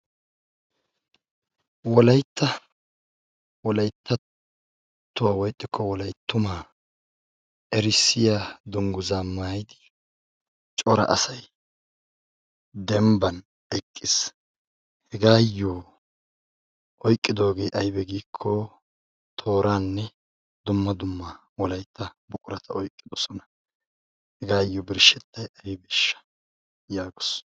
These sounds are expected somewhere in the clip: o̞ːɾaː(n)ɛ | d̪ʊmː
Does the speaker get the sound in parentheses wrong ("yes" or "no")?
yes